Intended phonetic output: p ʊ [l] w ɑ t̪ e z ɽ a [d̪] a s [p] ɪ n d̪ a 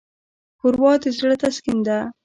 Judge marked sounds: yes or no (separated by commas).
no, no, no